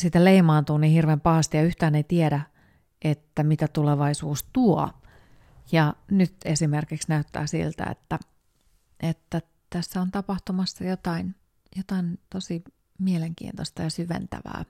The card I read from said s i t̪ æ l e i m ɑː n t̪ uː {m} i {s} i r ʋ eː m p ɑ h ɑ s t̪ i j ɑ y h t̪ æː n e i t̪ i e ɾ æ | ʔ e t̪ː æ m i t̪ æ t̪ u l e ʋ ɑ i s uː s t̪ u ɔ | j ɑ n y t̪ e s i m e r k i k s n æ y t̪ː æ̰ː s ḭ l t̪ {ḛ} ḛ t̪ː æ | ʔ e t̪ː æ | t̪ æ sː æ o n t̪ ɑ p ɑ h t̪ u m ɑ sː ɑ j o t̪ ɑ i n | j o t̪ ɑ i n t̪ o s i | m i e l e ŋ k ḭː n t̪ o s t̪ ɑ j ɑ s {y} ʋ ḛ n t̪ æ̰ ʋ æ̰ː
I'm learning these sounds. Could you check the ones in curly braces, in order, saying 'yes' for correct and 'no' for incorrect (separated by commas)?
no, no, no, yes